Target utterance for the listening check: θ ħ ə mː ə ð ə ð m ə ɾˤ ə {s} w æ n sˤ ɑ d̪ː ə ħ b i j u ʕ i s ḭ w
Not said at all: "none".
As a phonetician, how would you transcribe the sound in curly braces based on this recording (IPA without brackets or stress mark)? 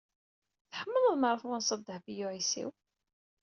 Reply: f